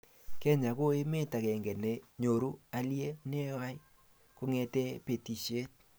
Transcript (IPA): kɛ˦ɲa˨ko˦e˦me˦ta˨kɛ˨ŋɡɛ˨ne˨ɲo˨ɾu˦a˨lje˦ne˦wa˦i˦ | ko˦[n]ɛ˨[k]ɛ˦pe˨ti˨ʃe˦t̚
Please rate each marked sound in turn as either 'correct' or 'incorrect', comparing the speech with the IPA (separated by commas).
incorrect, incorrect